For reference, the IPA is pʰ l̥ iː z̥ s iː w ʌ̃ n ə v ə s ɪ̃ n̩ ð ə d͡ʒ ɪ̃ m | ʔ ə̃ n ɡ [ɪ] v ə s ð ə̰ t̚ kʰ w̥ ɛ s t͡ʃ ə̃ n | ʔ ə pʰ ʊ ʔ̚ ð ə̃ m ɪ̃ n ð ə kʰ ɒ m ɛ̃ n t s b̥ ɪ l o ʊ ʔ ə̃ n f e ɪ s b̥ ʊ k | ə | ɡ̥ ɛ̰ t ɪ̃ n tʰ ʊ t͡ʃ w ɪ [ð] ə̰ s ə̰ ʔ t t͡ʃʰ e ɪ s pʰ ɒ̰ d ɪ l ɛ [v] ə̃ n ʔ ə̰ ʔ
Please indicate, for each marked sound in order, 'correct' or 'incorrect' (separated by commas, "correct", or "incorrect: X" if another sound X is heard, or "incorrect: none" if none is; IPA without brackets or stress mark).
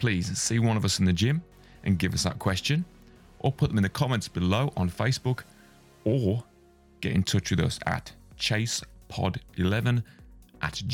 correct, correct, correct